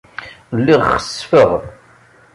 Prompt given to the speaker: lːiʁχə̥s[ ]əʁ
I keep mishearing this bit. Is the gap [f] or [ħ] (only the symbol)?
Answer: f